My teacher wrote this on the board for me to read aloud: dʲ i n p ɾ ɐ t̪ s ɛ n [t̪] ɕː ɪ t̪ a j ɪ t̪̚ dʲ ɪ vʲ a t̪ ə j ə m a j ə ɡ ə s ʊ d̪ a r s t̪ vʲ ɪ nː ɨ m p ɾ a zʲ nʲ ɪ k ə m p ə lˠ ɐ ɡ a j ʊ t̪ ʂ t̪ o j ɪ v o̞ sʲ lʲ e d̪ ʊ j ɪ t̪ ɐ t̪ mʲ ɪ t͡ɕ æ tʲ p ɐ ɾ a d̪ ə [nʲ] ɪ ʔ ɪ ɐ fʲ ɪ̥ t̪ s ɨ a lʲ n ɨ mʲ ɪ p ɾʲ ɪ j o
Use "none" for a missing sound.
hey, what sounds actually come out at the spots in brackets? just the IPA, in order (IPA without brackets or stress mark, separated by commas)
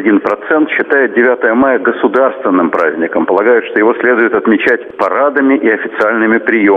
t̪, mʲ